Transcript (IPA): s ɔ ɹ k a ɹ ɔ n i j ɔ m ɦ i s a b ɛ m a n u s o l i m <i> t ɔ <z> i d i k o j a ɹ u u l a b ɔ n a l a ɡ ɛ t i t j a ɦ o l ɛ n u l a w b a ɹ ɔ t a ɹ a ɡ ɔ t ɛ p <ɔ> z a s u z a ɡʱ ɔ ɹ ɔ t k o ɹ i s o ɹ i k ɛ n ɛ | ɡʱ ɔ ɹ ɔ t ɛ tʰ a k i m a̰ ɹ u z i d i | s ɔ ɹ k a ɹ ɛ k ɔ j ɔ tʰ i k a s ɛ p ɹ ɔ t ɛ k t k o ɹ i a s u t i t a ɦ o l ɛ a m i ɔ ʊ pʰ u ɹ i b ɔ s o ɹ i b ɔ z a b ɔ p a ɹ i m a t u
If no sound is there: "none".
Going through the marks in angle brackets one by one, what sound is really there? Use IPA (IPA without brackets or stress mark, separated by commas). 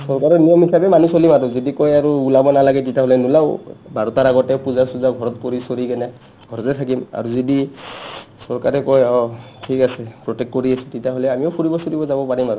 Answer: a, z, u